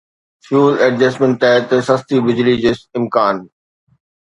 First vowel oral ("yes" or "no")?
yes